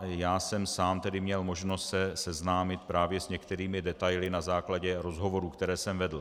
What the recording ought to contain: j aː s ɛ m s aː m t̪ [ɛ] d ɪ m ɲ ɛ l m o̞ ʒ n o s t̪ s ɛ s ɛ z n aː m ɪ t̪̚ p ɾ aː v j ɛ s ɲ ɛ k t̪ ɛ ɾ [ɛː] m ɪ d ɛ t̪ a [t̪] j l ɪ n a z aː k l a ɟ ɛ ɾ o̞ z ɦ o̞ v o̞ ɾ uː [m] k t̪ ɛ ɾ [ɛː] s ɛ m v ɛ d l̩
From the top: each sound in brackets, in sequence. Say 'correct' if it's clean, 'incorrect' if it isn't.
correct, incorrect, incorrect, incorrect, correct

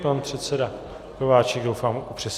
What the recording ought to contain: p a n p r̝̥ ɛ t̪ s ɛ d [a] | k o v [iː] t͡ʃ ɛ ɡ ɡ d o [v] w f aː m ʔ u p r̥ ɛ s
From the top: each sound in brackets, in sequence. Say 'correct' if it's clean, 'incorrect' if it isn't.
correct, incorrect, incorrect

